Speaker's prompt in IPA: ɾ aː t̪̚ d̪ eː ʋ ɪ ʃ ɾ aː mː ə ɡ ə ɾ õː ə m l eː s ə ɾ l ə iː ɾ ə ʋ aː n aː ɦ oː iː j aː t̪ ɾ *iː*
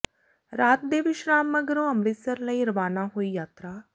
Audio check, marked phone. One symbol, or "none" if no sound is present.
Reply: aː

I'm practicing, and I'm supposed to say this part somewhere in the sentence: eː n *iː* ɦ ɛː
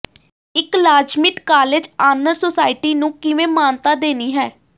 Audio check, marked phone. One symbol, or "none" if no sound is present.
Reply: iː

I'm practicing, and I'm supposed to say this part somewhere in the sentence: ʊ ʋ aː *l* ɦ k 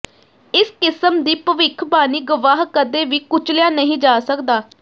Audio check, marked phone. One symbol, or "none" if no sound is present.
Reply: none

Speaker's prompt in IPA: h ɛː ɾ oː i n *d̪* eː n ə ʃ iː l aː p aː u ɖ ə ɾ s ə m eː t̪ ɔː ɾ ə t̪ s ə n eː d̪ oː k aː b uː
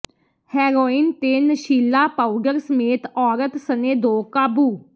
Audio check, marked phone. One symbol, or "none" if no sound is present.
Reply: t̪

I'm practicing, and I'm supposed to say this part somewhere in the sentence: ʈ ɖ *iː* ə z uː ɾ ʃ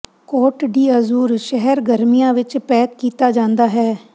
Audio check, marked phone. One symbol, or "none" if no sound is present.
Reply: iː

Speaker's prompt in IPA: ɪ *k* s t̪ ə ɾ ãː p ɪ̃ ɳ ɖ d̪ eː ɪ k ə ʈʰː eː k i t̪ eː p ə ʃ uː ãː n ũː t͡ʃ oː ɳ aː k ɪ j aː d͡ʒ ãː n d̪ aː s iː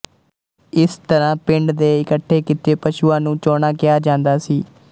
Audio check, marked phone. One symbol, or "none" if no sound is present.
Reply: none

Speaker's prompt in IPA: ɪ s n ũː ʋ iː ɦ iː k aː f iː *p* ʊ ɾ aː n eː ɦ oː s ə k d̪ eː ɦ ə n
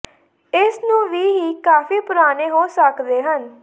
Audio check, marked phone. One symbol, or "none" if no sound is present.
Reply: p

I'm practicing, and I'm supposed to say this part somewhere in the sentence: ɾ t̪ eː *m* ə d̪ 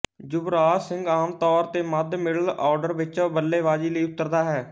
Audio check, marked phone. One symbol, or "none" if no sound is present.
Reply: m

